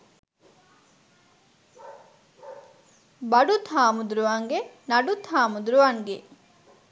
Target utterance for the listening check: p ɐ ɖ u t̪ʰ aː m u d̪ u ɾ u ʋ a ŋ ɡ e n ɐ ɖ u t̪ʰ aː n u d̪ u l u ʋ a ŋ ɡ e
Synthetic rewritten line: b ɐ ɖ u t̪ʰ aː m u d̪ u ɾ u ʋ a ŋ ɡ e n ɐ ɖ u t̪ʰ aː m u d̪ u ɾ u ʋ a ŋ ɡ e